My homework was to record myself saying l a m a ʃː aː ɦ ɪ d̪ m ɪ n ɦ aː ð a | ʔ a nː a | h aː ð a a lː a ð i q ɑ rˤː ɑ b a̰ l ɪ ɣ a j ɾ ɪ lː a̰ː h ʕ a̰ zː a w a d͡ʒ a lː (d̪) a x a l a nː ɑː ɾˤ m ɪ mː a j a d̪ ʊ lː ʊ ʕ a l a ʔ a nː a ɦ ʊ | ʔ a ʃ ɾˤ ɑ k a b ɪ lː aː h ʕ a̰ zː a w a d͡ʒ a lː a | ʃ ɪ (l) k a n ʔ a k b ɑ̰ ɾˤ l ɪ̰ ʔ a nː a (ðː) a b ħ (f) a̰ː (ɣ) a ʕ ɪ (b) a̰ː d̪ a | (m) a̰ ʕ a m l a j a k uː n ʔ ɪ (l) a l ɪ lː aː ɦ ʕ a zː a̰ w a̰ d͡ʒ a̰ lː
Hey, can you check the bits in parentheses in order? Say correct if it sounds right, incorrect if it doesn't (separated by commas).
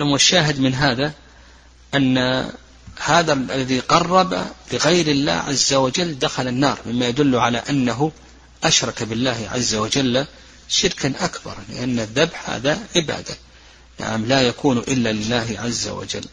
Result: correct, incorrect, correct, incorrect, incorrect, correct, incorrect, incorrect